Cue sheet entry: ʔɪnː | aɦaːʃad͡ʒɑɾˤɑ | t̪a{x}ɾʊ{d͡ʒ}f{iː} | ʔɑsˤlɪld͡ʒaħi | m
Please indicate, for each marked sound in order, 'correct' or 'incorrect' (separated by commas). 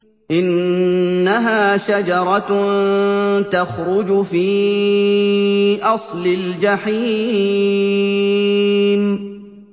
correct, correct, correct